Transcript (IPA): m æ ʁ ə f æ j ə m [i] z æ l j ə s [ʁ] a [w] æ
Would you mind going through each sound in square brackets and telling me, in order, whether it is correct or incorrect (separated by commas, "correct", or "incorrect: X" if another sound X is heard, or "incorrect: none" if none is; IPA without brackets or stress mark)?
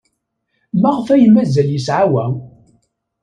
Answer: incorrect: æ, incorrect: ʕ, correct